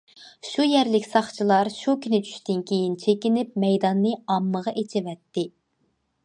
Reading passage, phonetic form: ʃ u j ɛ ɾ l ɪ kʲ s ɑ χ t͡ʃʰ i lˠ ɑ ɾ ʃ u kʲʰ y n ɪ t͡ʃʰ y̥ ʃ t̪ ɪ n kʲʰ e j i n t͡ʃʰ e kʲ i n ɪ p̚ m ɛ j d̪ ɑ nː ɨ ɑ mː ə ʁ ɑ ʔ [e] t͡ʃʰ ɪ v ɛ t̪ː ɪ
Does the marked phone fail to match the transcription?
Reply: no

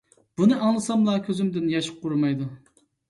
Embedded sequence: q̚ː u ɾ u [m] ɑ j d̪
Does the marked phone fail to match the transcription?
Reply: no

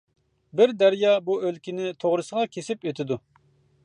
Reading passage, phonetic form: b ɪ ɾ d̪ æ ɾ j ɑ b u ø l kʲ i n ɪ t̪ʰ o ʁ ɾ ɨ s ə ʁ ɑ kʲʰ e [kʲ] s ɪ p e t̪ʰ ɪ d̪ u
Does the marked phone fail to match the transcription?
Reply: yes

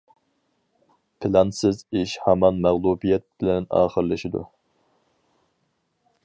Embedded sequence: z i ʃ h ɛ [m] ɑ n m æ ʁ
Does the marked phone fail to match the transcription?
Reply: no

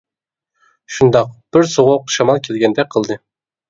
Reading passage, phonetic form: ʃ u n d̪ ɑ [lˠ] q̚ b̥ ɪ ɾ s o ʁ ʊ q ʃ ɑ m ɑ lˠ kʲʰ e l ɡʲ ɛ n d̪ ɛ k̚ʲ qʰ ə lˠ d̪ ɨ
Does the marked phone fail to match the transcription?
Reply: yes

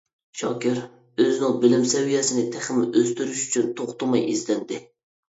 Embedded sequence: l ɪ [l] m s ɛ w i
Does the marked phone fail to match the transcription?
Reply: yes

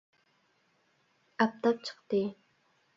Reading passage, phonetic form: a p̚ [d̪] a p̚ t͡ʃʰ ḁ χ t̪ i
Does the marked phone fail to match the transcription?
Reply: yes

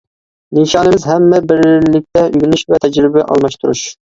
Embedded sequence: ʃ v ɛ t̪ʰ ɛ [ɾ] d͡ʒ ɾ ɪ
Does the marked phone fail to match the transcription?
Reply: yes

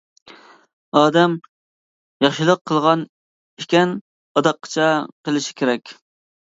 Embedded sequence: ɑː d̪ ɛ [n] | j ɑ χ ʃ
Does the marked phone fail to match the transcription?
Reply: yes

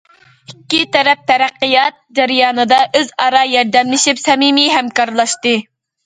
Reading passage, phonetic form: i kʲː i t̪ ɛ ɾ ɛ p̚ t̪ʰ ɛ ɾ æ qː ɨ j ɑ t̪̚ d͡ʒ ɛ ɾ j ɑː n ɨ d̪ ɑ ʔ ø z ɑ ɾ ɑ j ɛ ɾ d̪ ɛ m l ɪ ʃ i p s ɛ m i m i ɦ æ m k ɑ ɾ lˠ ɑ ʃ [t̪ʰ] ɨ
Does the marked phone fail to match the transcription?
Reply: yes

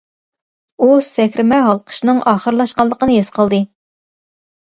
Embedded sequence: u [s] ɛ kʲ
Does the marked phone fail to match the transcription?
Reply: no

